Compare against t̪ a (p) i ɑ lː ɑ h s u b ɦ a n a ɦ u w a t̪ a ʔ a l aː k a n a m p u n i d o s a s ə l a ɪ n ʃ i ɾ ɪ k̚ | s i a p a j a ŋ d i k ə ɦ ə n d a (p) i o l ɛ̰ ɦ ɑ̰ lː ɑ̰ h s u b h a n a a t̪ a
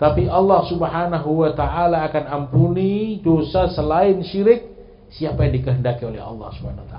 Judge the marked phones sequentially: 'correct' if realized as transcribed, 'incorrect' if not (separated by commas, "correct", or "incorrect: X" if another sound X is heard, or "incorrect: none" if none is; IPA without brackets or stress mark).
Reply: correct, incorrect: k